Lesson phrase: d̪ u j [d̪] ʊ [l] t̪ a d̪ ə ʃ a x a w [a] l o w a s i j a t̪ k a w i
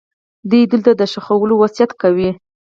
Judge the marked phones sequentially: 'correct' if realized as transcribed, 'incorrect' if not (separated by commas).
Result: correct, correct, incorrect